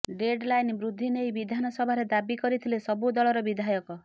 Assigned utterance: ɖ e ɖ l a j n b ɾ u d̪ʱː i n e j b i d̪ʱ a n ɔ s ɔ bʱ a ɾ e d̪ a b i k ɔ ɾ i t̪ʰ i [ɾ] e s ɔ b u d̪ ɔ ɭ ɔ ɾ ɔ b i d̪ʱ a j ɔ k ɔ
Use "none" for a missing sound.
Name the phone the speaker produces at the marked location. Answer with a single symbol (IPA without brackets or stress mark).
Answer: l